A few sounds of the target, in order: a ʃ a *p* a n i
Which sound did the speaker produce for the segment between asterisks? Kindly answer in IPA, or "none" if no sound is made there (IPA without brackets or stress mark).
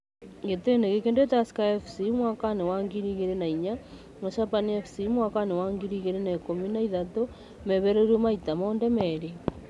p